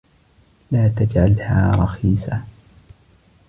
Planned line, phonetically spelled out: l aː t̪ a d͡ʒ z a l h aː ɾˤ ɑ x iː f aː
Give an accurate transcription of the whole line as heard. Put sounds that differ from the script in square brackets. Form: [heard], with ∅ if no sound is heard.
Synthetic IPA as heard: l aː t̪ a d͡ʒ [ʕ] a l h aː ɾˤ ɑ x iː [s] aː